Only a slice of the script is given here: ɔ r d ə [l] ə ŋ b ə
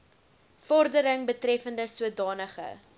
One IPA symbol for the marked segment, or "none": ɾ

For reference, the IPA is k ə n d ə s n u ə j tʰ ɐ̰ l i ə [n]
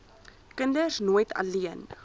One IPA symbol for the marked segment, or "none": n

